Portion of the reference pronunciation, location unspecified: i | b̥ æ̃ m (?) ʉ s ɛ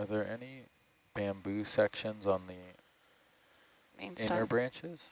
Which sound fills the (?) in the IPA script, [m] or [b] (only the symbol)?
b